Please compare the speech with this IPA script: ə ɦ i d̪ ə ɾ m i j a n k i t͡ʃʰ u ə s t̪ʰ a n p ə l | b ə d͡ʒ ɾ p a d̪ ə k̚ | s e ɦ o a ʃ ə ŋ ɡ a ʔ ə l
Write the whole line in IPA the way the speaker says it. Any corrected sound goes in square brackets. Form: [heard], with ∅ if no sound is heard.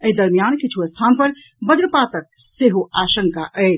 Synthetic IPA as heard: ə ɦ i d̪ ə ɾ m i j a n k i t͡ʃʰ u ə s t̪ʰ a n p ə [ɾ] | b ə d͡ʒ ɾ p a [t̪] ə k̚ | s e ɦ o a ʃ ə ŋ [k] a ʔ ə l